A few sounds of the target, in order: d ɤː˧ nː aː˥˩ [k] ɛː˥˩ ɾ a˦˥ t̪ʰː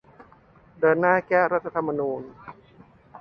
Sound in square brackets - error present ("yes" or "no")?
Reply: no